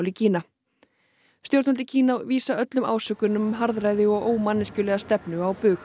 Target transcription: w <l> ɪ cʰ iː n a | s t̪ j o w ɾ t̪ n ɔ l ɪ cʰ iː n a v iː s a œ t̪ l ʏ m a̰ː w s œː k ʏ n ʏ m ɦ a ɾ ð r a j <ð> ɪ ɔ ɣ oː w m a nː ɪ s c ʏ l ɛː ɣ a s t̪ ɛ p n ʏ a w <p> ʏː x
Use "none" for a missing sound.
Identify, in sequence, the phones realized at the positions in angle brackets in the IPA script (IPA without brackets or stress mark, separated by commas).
l, ð, p